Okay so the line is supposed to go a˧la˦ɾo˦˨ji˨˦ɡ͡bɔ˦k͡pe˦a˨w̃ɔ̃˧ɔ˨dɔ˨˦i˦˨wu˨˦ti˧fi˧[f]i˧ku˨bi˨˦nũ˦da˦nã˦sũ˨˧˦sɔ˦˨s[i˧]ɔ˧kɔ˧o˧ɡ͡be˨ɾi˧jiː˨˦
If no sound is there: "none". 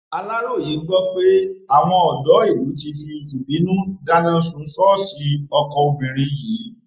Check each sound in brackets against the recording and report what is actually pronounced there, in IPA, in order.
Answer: none, i˧

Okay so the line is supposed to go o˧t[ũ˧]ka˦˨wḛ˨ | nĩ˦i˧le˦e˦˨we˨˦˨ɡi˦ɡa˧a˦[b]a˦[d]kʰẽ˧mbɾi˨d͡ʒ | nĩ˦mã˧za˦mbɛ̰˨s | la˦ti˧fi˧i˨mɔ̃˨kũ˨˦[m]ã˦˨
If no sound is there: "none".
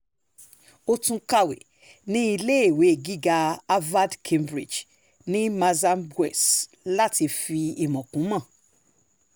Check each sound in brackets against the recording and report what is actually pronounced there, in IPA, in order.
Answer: ũ˧, v, d, m

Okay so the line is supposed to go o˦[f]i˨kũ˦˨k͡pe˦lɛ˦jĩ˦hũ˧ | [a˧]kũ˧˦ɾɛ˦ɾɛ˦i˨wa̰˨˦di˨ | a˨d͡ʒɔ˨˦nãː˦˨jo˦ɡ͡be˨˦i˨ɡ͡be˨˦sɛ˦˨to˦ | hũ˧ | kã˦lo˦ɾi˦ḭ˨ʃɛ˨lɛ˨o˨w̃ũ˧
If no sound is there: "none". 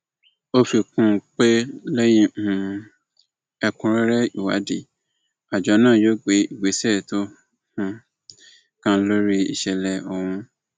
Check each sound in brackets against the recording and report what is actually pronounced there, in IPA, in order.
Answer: f, ɛ˧

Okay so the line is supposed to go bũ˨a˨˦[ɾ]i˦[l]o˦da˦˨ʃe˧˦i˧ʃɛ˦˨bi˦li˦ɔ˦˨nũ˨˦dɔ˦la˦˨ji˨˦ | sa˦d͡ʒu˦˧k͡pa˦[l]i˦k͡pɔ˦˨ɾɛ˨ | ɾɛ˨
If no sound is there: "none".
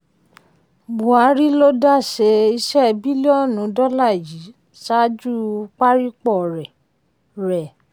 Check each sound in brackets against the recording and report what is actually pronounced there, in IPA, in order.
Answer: ɾ, l, ɾ

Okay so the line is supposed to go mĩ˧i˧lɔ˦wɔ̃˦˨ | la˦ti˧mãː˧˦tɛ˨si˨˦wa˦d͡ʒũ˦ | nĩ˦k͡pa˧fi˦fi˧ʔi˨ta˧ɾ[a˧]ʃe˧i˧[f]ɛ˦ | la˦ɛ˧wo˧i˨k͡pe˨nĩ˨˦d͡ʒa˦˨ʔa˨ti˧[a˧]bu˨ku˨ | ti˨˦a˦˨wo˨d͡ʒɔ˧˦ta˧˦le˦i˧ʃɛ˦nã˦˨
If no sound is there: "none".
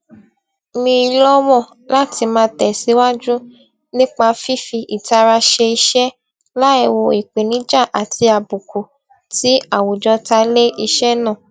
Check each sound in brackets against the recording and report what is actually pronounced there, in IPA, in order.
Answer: a˧, ʃ, a˧

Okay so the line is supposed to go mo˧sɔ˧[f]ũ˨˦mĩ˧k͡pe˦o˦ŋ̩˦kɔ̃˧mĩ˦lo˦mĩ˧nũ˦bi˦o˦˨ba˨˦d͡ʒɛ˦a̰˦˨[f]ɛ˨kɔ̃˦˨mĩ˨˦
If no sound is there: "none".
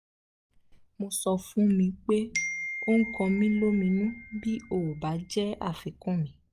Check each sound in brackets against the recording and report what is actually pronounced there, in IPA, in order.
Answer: f, f

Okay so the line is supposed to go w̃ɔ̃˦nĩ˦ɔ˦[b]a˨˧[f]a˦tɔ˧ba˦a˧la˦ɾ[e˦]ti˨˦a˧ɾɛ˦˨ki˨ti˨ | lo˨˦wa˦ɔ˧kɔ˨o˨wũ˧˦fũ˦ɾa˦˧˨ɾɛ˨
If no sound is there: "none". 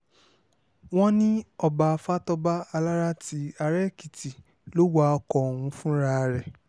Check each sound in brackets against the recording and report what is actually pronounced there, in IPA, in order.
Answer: b, f, a˦

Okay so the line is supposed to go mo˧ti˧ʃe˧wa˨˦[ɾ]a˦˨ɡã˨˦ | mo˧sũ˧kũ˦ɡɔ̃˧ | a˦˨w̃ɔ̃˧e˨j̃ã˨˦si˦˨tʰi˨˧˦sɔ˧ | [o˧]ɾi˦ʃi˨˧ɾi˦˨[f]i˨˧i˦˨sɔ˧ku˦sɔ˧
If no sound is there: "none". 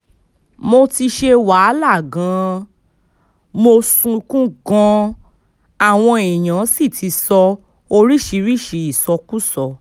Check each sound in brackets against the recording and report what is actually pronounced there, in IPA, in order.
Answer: l, o˧, ʃ

